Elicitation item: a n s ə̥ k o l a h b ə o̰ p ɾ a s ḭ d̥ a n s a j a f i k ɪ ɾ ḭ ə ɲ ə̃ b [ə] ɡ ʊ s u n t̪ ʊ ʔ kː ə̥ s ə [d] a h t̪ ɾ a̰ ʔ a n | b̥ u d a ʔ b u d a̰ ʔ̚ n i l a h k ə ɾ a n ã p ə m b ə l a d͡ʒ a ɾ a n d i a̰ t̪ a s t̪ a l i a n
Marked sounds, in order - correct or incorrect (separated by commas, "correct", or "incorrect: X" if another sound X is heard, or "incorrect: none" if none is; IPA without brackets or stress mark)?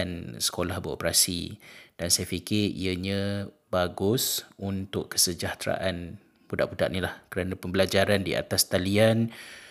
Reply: incorrect: a, incorrect: d͡ʒ